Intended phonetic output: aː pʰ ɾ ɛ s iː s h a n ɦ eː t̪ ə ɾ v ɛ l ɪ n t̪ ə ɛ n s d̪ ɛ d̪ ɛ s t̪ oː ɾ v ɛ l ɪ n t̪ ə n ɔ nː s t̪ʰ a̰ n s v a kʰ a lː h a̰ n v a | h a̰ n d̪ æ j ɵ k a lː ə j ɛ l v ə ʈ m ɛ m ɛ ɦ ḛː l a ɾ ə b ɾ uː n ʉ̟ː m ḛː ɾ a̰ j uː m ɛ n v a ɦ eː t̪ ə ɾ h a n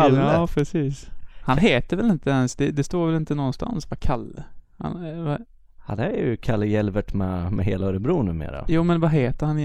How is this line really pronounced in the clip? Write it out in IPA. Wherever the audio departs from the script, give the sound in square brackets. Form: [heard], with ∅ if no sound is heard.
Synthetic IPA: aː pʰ ɾ ɛ s iː s h a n ɦ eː t̪ ə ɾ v ɛ l ɪ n t̪ ə ɛ n s d̪ ɛ d̪ ɛ s t̪ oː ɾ v ɛ l ɪ n t̪ ə n ɔ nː s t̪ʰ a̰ n s v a kʰ a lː h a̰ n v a | h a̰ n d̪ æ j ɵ [kʰ] a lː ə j ɛ l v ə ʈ m ɛ m ɛ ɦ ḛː l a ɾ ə b ɾ uː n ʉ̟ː m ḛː ɾ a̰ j uː m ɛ n v a ɦ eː t̪ ə ɾ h a n